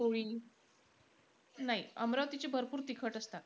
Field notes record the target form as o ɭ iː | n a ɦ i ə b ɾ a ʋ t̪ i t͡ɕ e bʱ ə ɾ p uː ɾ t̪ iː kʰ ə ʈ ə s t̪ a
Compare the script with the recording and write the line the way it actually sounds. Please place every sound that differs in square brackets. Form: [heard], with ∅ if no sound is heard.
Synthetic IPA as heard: o ɭ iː | n a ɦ i ə [m] ɾ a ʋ t̪ i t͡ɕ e bʱ ə ɾ p uː ɾ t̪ [i] kʰ ə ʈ ə s t̪ a